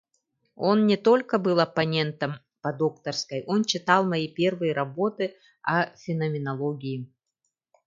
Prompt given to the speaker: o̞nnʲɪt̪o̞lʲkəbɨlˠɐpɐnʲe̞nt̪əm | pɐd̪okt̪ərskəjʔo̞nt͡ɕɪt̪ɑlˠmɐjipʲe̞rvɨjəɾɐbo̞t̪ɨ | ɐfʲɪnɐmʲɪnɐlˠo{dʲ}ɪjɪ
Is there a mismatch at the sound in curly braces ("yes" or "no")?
yes